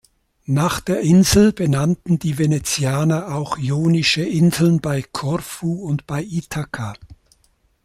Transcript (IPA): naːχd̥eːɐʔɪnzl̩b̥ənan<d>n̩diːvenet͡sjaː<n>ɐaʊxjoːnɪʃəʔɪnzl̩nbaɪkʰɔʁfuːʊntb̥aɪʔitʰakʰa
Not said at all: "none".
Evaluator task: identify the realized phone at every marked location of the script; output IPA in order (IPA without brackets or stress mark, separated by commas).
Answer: t, n